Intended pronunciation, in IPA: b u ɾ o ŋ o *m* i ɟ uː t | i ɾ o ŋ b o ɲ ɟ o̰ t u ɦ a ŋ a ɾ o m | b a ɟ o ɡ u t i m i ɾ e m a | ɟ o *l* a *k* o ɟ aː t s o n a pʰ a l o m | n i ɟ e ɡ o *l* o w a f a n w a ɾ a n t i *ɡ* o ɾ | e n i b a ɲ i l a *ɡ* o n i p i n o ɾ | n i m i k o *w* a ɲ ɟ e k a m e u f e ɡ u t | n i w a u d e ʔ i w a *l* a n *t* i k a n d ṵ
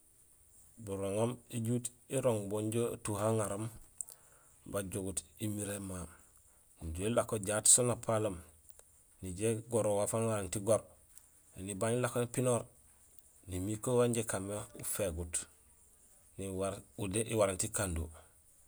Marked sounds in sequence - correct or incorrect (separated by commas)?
correct, correct, correct, incorrect, correct, incorrect, correct, incorrect, correct